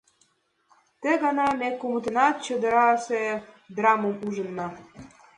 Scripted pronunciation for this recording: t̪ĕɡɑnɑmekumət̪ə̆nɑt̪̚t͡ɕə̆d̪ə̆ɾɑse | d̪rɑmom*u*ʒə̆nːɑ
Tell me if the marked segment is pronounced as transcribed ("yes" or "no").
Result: yes